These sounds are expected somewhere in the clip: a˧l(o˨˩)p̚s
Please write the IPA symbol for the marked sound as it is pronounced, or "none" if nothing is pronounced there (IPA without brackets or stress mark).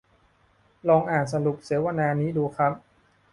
u˨˩